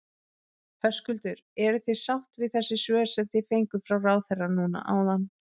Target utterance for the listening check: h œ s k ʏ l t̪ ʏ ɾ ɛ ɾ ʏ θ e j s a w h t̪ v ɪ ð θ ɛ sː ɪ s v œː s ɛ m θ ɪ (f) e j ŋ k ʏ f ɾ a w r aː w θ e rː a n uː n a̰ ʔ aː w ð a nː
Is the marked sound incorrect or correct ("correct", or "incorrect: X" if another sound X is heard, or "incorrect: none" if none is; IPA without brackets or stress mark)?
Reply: correct